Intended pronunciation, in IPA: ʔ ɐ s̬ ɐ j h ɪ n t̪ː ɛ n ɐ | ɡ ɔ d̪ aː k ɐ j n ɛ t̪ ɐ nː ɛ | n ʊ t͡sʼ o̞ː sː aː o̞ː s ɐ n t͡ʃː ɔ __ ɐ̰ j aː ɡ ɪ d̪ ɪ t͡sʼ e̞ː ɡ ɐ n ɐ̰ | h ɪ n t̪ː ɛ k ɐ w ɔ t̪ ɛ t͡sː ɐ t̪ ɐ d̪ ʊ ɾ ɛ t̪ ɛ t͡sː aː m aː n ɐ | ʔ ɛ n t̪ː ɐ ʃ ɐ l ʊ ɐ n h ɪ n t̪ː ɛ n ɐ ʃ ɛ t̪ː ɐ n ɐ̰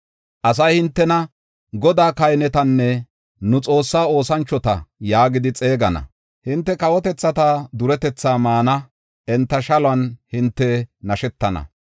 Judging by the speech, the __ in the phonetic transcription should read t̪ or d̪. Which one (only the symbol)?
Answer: t̪